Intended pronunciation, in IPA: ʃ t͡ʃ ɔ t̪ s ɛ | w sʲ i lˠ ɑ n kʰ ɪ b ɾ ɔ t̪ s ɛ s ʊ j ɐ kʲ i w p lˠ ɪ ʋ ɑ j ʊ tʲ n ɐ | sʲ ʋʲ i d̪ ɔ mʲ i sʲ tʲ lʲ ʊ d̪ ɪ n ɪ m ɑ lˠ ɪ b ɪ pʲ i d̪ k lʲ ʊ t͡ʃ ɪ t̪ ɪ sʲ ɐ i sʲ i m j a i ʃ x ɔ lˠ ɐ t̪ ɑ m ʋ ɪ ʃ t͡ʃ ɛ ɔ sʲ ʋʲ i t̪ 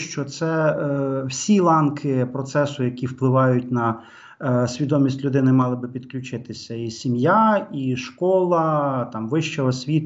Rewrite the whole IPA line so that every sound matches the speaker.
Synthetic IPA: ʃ t͡ʃ ɔ t̪ s ɛ | w sʲ i lˠ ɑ n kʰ ɪ p ɾ ɔ t̪ s ɛ s ʊ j ɐ kʲ i w p lˠ ɪ ʋ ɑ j ʊ tʲ n ɐ | sʲ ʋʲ i d̪ ɔ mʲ i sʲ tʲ lʲ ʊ d̪ ɪ n ɪ m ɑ lˠ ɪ b ɪ pʲ i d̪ k lʲ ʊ t͡ʃ ɪ t̪ ɪ sʲ ɐ i sʲ i m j a i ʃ k ɔ lˠ ɐ t̪ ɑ m ʋ ɪ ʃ t͡ʃ ɛ ɔ sʲ ʋʲ i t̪